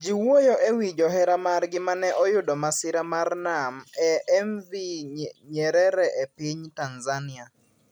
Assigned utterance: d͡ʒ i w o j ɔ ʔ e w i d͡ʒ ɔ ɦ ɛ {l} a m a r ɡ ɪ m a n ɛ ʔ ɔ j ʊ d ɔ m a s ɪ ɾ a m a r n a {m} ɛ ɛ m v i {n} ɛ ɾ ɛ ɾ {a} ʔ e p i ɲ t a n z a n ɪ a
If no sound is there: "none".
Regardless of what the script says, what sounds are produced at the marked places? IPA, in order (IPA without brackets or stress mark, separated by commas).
ɾ, m, ɲ, ɛ